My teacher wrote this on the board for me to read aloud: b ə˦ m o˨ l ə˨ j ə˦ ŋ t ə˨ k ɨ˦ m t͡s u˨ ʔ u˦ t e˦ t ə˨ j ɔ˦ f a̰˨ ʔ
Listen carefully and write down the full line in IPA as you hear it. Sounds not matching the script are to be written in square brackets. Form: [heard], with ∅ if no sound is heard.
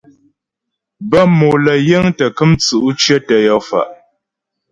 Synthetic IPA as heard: b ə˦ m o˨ l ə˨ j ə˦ ŋ t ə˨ k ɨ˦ m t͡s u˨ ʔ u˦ [t͡ʃ] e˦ t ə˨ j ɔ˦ f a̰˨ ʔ

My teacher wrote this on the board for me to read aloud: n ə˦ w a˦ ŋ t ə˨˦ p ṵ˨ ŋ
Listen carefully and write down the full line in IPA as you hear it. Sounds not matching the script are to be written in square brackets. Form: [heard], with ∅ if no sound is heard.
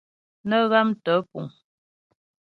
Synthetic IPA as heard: n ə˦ [ɣ] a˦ [m] t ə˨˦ p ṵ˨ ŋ

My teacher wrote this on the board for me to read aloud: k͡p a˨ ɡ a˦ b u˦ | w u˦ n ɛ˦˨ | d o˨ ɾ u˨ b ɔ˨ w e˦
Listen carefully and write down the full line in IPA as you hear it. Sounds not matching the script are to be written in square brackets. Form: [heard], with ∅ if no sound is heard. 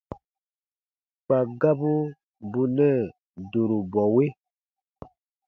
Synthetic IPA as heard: k͡p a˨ ɡ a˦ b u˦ | [b] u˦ n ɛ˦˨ | d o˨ ɾ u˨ b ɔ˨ w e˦

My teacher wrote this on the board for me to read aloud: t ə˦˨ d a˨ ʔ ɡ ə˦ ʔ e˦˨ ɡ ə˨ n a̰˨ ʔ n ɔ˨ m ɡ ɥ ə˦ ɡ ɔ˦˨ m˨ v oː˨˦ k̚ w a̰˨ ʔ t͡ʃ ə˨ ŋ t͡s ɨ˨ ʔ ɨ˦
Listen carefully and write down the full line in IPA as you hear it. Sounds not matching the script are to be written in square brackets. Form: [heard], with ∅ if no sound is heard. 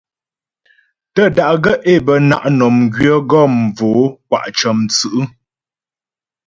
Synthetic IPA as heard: t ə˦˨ d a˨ ʔ ɡ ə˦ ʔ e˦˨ [b] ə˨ n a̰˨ ʔ n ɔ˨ m ɡ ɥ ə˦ ɡ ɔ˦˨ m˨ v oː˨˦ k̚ w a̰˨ ʔ t͡ʃ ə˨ [m] t͡s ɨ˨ ʔ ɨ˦

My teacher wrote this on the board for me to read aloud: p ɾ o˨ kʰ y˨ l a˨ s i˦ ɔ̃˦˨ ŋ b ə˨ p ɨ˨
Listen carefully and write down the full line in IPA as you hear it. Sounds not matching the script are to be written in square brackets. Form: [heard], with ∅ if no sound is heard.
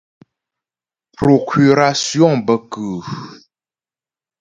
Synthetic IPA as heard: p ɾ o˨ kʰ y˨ [ɾ] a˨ s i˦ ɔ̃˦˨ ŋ b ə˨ [k] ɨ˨

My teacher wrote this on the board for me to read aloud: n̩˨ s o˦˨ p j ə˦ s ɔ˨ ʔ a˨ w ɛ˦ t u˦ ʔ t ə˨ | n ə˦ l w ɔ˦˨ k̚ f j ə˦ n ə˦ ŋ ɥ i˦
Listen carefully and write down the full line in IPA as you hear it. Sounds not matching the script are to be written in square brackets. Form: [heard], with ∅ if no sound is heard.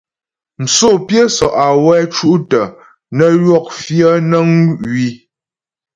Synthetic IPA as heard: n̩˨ s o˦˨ p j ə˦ s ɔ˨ ʔ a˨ w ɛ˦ [t͡ʃ] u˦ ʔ t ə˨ | n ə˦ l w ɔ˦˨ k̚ f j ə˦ n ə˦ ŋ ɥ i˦

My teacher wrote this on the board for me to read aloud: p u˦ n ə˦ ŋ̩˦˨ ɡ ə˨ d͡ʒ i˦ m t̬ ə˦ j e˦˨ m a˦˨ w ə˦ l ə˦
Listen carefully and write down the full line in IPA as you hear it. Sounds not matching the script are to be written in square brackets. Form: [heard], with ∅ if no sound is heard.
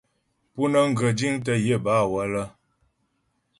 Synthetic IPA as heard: p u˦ n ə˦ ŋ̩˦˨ ɡ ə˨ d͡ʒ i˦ [ŋ] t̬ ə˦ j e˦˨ [b] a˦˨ w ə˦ l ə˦

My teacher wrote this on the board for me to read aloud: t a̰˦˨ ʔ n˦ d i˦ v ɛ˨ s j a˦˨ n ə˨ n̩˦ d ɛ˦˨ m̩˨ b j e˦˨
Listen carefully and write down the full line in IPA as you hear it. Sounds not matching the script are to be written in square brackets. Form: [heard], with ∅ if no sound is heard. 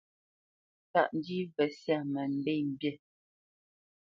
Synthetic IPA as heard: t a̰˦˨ ʔ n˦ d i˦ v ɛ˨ s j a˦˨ [m] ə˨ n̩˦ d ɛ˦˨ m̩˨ b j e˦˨

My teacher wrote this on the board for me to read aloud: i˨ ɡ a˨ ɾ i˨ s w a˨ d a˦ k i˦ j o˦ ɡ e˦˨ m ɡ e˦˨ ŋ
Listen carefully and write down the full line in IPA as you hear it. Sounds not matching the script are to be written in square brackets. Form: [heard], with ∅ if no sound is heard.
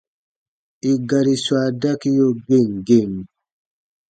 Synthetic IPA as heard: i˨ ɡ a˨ ɾ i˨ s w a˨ d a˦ k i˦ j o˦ ɡ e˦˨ [ŋ] ɡ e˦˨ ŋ

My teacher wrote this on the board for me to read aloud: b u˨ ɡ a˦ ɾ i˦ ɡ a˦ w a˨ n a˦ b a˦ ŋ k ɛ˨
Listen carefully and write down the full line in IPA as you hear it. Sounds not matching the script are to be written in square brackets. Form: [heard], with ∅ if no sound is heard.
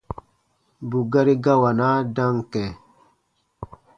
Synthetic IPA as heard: b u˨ ɡ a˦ ɾ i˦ ɡ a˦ w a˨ n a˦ [d] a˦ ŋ k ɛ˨

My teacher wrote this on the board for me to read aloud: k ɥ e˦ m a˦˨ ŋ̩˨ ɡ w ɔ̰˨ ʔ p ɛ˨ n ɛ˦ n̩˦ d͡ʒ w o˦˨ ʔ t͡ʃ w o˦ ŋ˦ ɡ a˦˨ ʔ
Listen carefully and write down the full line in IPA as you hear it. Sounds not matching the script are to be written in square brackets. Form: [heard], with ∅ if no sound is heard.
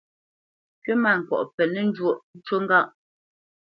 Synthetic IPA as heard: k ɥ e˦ m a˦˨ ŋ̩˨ [k] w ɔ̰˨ ʔ p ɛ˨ n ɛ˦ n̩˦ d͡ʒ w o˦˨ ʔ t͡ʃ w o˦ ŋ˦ ɡ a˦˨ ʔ

